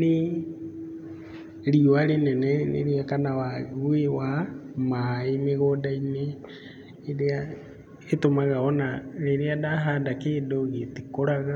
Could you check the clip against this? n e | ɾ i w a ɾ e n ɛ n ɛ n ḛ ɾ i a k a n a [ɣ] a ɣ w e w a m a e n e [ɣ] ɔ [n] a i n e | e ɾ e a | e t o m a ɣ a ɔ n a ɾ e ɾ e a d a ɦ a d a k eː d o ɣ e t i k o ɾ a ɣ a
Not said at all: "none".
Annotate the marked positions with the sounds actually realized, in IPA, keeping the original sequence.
w, ɣ, d

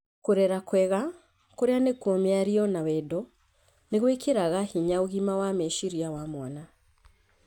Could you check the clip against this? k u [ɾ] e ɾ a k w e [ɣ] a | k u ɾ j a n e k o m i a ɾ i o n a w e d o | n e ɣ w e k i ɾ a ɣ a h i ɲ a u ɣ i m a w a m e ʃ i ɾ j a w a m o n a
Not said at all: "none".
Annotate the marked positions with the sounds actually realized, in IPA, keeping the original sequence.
ɾ, ɣ

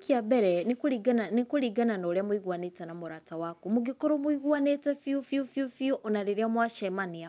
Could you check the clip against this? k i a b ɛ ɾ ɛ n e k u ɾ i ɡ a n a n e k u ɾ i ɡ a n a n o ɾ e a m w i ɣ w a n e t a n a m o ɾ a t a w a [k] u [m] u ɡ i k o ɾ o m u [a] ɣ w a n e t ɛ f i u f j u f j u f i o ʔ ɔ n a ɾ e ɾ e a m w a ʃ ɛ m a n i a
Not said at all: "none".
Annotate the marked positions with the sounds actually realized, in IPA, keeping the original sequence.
k, m, i

